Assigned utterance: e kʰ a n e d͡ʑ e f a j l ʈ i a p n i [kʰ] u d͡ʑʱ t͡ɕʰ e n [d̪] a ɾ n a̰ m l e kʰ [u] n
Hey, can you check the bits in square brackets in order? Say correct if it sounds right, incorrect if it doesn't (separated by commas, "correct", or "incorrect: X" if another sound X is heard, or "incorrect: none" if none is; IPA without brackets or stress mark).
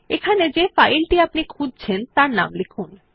correct, incorrect: t̪, correct